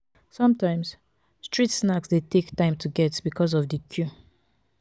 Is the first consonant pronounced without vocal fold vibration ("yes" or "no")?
yes